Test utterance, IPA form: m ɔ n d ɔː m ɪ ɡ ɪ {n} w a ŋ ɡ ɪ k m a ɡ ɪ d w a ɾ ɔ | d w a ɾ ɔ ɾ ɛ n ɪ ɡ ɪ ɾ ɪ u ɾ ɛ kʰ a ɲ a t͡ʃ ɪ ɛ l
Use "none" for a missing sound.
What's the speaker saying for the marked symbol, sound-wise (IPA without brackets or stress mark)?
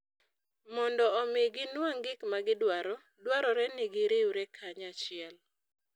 n